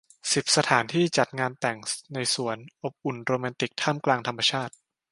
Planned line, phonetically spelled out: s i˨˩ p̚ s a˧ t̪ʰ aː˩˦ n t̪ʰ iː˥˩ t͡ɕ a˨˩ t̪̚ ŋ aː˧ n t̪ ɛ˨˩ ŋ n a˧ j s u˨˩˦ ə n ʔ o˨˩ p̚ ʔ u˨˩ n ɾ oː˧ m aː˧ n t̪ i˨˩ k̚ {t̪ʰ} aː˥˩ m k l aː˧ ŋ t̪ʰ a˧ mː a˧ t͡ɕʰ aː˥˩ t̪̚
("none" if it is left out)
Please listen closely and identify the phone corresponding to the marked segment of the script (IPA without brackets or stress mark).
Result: t̪ʰ